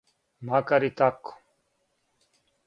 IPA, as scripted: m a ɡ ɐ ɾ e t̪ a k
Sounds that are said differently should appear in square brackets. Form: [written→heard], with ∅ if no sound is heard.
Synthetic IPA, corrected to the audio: m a [ɡ→k] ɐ ɾ [e→i] t̪ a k